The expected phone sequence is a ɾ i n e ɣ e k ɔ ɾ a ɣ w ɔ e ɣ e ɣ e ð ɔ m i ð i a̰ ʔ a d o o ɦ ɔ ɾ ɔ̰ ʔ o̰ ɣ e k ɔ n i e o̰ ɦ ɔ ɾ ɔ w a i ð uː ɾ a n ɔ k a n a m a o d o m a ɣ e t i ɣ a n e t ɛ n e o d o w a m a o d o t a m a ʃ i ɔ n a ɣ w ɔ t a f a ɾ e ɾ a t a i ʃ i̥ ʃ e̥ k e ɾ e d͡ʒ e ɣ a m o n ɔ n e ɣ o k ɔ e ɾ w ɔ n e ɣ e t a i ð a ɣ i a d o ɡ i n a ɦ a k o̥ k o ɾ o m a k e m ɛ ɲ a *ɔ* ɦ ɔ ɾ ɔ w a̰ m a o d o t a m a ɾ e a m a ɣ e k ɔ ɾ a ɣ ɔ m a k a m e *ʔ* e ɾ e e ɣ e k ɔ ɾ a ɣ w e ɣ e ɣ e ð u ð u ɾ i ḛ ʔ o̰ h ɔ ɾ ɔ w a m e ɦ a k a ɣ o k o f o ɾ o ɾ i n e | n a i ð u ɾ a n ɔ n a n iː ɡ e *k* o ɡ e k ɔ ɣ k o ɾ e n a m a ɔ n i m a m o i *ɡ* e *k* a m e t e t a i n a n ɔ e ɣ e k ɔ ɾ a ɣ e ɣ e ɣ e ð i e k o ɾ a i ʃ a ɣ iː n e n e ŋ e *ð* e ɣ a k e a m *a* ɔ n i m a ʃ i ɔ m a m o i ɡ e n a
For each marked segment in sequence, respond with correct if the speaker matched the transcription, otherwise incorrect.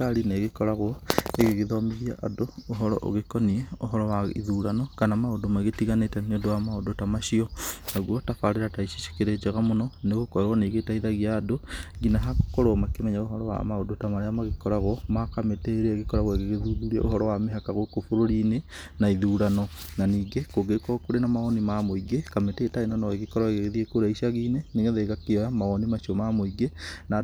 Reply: incorrect: o, incorrect: t, correct, correct, correct, correct, correct

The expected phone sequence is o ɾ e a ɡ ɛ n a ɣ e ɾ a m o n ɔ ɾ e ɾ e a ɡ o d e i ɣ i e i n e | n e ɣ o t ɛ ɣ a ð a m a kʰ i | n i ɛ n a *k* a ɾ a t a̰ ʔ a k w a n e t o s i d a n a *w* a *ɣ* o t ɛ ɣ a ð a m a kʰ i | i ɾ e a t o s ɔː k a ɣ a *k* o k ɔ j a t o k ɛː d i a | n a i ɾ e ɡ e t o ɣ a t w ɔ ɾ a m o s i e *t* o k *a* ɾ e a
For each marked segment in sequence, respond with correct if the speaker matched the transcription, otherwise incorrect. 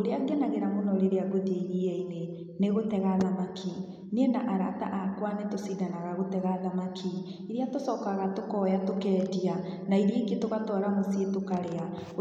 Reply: incorrect: ʔ, incorrect: ɣ, correct, incorrect: t, correct, correct

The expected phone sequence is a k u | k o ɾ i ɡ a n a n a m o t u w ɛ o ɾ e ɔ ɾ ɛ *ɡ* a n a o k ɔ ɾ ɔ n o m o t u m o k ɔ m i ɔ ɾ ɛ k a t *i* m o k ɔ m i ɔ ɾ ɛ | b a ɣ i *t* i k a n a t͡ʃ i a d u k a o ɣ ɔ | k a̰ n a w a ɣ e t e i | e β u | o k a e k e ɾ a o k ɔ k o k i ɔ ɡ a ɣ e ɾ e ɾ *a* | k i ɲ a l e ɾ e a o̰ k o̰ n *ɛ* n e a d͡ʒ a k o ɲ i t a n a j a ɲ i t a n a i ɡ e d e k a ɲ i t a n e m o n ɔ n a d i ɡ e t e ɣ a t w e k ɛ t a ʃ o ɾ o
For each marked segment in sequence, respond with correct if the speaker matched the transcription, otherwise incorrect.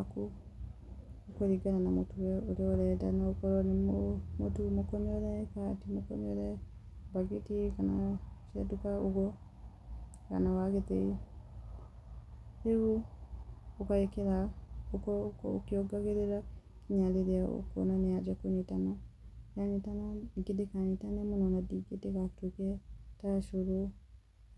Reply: incorrect: d, correct, correct, correct, incorrect: a

